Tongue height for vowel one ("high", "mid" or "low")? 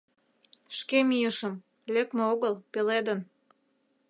mid